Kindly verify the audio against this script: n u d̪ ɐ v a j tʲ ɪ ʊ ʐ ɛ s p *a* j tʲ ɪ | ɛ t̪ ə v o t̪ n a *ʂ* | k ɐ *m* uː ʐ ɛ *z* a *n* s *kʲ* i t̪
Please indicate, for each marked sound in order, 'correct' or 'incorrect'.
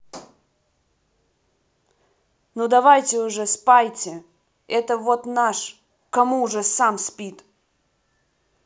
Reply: correct, correct, correct, incorrect: s, incorrect: m, incorrect: pʲ

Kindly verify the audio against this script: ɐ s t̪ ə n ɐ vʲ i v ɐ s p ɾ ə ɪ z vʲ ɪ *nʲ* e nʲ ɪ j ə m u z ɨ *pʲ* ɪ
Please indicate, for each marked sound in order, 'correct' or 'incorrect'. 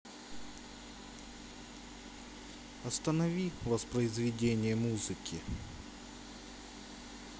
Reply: incorrect: dʲ, incorrect: kʲ

